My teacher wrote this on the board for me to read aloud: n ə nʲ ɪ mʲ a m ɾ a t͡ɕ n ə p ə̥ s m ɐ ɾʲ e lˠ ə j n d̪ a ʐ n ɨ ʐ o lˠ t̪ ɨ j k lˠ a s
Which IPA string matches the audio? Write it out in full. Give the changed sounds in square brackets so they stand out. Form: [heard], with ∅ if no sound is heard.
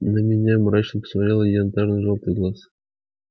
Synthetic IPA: n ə [mʲ] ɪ [nʲ] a m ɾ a t͡ɕ n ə p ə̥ s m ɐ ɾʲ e lˠ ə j n [t̪] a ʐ n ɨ ʐ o lˠ t̪ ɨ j [ɡ] lˠ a s